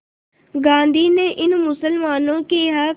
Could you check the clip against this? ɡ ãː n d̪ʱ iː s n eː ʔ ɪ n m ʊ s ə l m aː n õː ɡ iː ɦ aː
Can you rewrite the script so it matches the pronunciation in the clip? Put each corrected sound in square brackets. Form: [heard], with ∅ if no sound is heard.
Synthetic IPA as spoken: ɡ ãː n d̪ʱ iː [∅] n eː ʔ ɪ n m ʊ s ə l m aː n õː [k] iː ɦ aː